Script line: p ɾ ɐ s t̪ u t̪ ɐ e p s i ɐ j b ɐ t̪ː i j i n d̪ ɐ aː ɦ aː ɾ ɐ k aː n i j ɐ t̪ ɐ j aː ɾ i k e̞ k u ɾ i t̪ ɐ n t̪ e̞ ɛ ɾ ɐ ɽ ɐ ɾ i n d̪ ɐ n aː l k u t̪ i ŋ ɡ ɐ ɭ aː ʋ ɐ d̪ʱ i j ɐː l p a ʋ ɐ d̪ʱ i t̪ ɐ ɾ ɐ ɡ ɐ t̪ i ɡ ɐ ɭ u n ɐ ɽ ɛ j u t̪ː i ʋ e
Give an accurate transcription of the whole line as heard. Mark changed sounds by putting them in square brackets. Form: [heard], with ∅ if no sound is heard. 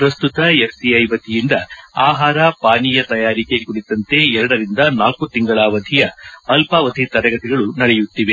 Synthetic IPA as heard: p ɾ ɐ s t̪ u t̪ ɐ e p s i ɐ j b ɐ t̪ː i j i n d̪ ɐ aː ɦ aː ɾ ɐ [p] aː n i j ɐ t̪ ɐ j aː ɾ i k e̞ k u [ɽ] i t̪ ɐ n t̪ e̞ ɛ ɾ ɐ ɽ ɐ ɾ i n d̪ ɐ n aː l k u t̪ i ŋ ɡ ɐ ɭ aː ʋ ɐ d̪ʱ i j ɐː l p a ʋ ɐ d̪ʱ i t̪ ɐ ɾ ɐ ɡ ɐ t̪ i ɡ ɐ ɭ u n ɐ ɽ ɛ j u t̪ː i ʋ e